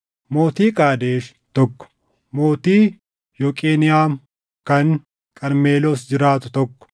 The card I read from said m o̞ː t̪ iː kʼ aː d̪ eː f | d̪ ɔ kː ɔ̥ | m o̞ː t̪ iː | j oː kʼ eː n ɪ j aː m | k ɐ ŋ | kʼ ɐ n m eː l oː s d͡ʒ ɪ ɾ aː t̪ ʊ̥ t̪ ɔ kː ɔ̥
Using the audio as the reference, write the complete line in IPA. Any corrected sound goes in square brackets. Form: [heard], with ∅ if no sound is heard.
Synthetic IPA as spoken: m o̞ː t̪ iː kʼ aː d̪ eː [ʃ] | [t̪] ɔ kː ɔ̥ | m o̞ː t̪ iː | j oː kʼ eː n ɪ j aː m | k ɐ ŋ | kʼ ɐ n m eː l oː s d͡ʒ ɪ ɾ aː t̪ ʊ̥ t̪ ɔ kː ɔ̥